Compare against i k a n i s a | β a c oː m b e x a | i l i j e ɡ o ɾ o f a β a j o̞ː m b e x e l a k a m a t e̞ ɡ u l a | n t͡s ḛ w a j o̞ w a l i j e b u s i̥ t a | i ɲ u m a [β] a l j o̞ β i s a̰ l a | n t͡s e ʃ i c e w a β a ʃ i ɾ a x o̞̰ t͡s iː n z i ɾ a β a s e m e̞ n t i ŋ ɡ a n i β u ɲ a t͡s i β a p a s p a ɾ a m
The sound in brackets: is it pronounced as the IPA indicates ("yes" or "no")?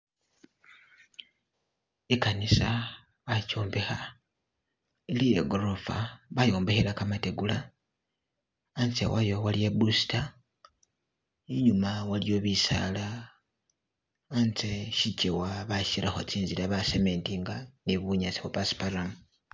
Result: no